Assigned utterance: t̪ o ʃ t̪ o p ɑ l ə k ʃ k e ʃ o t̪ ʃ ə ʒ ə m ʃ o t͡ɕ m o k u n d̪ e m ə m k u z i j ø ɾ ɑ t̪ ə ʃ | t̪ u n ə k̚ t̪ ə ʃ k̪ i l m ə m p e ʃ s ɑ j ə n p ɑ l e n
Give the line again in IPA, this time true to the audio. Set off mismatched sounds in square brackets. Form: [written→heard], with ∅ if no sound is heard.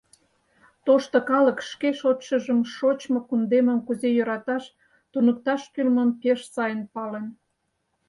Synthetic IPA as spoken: t̪ o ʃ t̪ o [p→k] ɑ l ə k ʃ k e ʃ o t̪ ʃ ə ʒ ə m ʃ o t͡ɕ m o k u n d̪ e m ə m k u z [i→e] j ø ɾ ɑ t̪ [ə→ɑ] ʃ | t̪ u n ə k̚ t̪ [ə→ɑ] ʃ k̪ [i→y] l m ə m p e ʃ s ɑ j ə n p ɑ l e n